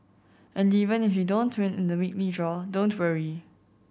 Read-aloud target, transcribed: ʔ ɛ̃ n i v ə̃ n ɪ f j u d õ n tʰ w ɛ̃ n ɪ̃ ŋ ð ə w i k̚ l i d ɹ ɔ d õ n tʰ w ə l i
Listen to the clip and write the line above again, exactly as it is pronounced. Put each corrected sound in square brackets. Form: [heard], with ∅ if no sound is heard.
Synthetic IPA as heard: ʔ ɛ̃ n i v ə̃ n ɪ f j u d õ n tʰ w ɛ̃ n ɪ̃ [n] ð ə w i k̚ l i d ɹ ɔ d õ n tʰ w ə [ɹ] i